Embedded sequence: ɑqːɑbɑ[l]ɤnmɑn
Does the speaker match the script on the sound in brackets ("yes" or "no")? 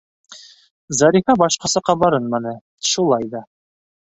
no